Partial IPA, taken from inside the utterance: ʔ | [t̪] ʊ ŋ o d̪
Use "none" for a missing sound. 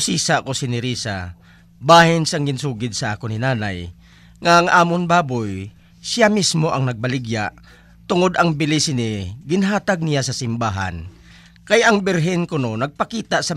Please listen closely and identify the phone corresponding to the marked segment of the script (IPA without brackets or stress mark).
t̪